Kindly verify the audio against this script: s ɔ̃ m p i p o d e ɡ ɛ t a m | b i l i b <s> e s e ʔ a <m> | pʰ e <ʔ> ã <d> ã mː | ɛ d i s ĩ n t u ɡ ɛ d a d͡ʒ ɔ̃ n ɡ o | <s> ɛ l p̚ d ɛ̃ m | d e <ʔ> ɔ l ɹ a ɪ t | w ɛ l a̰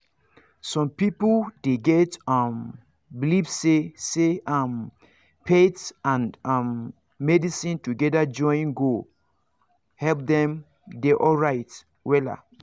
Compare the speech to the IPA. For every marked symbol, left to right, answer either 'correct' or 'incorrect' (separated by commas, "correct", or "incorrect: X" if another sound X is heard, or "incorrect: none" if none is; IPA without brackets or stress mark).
correct, correct, incorrect: t, incorrect: n, incorrect: h, correct